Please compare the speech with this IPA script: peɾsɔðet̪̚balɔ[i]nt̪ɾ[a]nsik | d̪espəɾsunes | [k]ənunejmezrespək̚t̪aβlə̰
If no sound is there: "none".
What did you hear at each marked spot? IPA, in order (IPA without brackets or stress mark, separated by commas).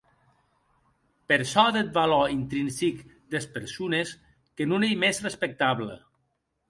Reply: i, i, k